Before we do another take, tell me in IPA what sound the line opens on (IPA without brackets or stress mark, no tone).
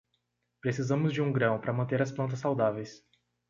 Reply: p